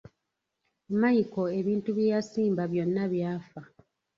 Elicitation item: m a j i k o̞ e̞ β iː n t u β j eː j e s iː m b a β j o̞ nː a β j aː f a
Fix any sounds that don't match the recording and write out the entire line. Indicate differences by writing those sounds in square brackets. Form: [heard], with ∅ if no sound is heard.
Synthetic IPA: m a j i k o̞ e̞ β iː n t u β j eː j [a] s iː m b a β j o̞ nː a β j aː f a